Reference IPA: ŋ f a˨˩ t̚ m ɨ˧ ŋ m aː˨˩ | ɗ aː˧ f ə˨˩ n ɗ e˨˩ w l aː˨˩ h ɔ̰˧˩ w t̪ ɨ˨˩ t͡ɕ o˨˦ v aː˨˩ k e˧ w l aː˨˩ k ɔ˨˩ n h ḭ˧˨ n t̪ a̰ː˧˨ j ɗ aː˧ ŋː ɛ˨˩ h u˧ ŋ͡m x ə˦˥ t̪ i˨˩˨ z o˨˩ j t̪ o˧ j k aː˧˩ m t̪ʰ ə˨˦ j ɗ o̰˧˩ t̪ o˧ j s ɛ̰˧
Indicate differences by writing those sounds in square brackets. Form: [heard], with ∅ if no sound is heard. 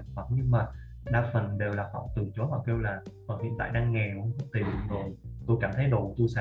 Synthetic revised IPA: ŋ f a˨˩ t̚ [ɲ] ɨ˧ ŋ m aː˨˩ | ɗ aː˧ f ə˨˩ n ɗ e˨˩ w l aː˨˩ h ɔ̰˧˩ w t̪ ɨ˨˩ t͡ɕ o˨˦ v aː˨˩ k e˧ w l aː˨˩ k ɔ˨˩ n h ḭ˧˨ n t̪ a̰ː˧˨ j ɗ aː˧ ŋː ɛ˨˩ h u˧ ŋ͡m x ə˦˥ t̪ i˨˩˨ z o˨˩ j t̪ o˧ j k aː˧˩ m t̪ʰ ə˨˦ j ɗ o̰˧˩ t̪ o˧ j s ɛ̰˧